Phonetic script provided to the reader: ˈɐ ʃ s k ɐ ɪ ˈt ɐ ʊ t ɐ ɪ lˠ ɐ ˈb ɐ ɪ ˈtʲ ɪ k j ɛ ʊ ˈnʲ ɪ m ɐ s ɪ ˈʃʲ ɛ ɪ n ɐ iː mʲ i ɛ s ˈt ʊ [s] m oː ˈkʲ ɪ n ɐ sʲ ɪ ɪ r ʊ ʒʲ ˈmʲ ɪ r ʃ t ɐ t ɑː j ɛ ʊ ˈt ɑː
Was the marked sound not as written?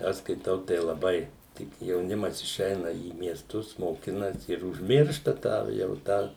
no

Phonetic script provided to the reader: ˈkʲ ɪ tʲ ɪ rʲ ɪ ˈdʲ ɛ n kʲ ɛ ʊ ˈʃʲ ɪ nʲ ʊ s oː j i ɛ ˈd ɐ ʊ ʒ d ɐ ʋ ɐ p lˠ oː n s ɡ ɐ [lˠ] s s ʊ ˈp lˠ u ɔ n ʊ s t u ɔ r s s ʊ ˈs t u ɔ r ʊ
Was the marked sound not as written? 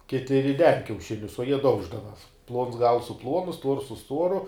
no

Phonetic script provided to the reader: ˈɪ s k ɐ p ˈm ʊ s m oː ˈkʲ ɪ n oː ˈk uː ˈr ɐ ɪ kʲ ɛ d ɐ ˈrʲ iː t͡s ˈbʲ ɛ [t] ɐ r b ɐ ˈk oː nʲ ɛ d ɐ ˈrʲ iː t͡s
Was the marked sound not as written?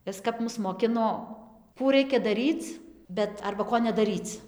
no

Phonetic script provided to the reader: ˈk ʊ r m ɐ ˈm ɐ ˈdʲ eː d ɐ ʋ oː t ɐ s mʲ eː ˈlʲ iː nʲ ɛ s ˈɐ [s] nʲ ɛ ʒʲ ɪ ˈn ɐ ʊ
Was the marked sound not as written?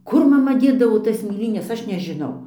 yes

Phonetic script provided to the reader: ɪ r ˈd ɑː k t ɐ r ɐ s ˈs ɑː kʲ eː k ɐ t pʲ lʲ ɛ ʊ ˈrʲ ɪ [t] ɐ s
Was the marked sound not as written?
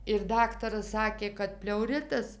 no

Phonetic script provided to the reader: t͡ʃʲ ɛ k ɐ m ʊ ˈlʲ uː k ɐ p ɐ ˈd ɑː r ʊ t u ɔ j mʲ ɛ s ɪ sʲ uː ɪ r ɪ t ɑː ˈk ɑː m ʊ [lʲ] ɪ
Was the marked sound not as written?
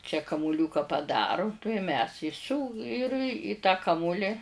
no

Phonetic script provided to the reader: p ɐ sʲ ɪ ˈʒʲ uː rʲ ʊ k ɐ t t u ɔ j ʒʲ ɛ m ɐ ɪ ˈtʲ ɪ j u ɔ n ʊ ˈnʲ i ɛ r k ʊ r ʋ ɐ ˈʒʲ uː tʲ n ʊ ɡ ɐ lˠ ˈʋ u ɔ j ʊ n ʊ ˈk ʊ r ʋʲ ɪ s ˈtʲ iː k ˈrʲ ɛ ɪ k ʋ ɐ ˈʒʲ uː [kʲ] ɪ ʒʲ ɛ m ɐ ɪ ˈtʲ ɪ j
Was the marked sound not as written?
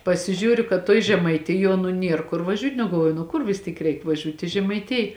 yes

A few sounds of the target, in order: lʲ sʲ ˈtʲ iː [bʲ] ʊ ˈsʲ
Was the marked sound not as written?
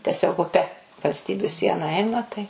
no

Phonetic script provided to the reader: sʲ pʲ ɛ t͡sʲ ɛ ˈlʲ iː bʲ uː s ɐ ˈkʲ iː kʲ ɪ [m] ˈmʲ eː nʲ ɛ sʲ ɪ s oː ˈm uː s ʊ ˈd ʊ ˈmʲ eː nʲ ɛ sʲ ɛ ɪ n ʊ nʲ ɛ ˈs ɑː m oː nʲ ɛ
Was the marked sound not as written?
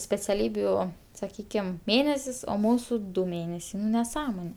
no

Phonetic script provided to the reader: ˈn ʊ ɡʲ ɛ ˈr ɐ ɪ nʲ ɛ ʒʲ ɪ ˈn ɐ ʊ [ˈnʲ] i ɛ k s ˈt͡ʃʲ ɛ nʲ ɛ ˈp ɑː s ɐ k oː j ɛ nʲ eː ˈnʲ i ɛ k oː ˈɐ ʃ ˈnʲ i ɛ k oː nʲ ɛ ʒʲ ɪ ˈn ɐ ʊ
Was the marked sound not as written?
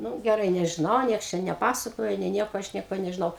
no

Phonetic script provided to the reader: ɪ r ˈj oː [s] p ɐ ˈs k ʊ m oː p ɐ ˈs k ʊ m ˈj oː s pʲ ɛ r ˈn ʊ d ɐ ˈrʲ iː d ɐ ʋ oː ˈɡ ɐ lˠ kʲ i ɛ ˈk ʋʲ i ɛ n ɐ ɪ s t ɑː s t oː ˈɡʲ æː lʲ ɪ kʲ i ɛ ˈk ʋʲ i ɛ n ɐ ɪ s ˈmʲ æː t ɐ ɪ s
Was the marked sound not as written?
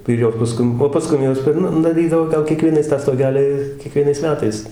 no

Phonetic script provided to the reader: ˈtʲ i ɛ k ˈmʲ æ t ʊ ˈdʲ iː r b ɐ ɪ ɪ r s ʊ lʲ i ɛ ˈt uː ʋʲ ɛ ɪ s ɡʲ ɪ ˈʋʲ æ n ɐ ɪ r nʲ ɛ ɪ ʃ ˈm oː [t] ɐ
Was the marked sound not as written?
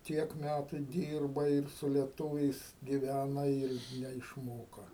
yes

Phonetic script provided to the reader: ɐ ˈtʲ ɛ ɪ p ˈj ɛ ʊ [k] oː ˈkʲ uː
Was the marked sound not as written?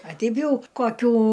no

